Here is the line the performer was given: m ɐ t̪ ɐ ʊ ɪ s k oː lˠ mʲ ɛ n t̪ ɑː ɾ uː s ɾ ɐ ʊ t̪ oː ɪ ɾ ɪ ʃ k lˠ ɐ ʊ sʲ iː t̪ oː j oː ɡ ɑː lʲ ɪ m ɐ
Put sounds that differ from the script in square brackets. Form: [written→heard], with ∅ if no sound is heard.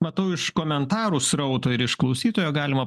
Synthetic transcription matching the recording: m ɐ t̪ ɐ ʊ ɪ [s→ʃ] k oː [lˠ→∅] mʲ ɛ n t̪ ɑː ɾ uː s ɾ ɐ ʊ t̪ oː ɪ ɾ ɪ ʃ k lˠ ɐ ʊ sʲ iː t̪ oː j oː ɡ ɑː lʲ ɪ m ɐ